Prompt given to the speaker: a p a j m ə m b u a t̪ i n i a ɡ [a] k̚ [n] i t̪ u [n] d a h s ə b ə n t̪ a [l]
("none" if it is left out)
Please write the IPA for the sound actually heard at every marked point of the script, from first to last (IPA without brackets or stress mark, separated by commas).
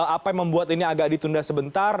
a, d, n, r